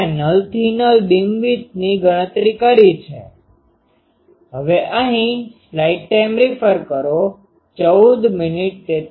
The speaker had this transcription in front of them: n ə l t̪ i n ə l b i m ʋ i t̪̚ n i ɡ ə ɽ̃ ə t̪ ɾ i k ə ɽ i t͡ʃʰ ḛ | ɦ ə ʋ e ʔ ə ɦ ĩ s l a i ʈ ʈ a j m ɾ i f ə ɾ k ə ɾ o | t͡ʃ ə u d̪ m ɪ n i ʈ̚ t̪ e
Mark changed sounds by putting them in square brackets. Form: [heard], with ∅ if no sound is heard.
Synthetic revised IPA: n ə l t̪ i n ə l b i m ʋ i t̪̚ n i ɡ ə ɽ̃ ə t̪ ɾ i k ə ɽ i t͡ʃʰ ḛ | ɦ ə ʋ e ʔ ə ɦ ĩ s l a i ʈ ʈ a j m ɾ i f ə ɾ k ə ɾ o | t͡ʃ ə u d̪ m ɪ n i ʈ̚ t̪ e

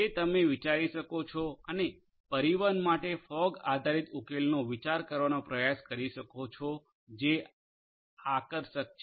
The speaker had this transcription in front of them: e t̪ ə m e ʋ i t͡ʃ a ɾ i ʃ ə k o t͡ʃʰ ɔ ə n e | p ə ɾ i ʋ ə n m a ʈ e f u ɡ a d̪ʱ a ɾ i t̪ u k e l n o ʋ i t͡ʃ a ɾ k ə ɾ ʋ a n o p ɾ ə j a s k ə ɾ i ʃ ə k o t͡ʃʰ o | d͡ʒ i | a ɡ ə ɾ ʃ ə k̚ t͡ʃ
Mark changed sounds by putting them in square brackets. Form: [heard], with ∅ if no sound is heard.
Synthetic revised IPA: e t̪ ə m e ʋ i t͡ʃ a ɾ i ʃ ə k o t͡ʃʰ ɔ ə n e | p ə ɾ i ʋ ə n m a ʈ e f [ɔ] ɡ a d̪ʱ a ɾ i t̪ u k e l n o ʋ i t͡ʃ a ɾ k ə ɾ ʋ a n o p ɾ ə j a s k ə ɾ i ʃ ə k o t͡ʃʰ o | d͡ʒ [e] | a [k] ə ɾ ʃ ə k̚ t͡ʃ

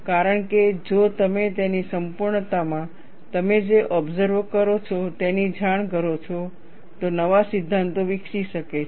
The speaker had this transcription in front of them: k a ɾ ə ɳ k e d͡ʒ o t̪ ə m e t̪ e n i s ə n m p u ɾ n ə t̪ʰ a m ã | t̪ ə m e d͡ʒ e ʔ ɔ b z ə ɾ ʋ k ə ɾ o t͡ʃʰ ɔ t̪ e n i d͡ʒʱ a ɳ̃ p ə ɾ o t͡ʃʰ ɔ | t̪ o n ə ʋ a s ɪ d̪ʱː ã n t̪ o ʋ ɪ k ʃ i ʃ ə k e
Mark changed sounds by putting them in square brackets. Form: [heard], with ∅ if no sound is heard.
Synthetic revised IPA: k a ɾ ə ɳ k e d͡ʒ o t̪ ə m e t̪ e n i s ə [∅] m p u ɾ [ɳ] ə [t̪] a m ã | t̪ ə m e d͡ʒ e ʔ ɔ b z ə ɾ ʋ k ə ɾ o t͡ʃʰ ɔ t̪ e n i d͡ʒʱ a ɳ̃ [k] ə ɾ o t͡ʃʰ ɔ | t̪ o n ə ʋ a s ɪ d̪ʱː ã n t̪ o ʋ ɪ k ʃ i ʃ ə k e

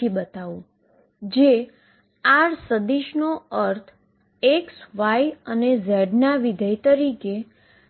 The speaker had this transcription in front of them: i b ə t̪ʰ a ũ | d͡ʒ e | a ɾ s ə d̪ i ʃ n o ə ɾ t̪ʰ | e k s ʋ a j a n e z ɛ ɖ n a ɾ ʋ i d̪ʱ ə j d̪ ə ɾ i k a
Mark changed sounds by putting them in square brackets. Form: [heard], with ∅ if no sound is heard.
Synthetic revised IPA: i b ə [t̪] a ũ | d͡ʒ e | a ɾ s ə d̪ i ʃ n o ə ɾ t̪ʰ | e k s ʋ a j [ə] n e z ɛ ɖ n a [∅] ʋ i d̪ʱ ə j [t̪] ə ɾ i k [e]

